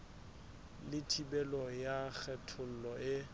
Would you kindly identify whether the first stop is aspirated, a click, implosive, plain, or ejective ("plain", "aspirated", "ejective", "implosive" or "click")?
aspirated